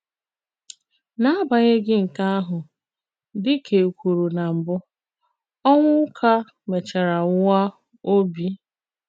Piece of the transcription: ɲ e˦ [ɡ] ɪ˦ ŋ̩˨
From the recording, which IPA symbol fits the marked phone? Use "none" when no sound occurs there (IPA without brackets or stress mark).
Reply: ɡ